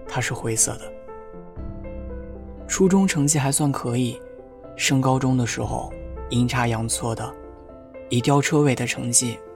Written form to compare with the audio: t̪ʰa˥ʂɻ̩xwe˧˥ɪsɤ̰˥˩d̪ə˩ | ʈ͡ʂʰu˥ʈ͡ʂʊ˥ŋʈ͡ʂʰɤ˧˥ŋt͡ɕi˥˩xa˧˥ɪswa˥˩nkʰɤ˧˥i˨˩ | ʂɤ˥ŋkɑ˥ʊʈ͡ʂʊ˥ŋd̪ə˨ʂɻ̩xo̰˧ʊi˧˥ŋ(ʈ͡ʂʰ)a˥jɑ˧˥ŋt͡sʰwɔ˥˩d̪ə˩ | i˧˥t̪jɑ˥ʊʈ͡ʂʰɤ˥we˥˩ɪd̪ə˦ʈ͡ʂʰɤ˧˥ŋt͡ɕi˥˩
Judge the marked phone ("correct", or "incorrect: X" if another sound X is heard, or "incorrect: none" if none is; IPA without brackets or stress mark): correct